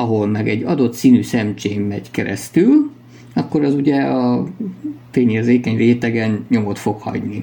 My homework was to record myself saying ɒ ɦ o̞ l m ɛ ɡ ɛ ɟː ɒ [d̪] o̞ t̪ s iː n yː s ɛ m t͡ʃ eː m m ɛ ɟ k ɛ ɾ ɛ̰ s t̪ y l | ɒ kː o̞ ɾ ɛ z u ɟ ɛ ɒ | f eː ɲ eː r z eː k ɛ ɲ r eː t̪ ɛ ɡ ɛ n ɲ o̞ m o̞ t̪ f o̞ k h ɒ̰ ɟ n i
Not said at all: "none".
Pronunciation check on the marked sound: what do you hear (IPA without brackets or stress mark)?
d̪